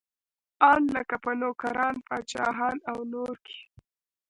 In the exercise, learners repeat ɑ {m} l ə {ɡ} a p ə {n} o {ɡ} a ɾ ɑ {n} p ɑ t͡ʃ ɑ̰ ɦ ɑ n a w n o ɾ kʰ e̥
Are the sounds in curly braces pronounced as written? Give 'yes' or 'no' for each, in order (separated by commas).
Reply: no, no, yes, no, yes